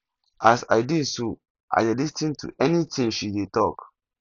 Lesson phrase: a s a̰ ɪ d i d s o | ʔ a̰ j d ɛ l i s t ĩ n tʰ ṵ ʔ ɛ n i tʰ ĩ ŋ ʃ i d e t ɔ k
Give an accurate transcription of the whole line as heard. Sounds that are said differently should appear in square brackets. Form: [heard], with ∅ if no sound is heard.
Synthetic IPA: a s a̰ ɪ d i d s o | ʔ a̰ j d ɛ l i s t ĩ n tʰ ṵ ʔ ɛ n i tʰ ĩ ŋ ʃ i d e t ɔ k